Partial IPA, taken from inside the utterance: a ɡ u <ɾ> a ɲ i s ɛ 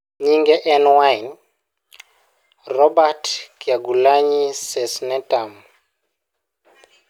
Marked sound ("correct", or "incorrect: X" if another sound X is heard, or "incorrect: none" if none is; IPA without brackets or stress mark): incorrect: l